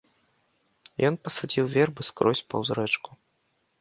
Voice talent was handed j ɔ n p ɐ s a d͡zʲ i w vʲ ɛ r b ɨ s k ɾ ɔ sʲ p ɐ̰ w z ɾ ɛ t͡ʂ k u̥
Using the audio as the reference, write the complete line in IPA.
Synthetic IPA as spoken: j ɔ n p ɐ s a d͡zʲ i w vʲ ɛ r b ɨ s k ɾ ɔ sʲ p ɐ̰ w z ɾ ɛ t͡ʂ k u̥